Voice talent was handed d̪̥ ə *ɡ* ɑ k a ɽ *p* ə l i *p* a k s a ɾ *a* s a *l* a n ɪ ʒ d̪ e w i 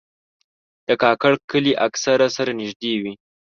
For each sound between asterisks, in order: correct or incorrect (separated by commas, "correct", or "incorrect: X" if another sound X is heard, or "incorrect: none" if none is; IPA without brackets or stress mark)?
incorrect: k, incorrect: k, incorrect: ʔ, correct, incorrect: ɾ